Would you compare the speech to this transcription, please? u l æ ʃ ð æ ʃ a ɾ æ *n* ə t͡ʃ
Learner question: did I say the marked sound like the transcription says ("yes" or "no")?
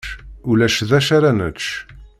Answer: yes